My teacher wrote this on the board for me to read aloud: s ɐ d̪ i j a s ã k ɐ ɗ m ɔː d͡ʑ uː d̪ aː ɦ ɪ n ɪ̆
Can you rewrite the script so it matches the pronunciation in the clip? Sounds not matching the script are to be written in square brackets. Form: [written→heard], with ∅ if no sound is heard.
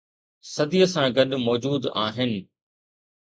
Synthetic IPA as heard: s ɐ d̪ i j [a→ə] s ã [k→ɡ] ɐ ɗ m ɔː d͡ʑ uː d̪ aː ɦ ɪ n ɪ̆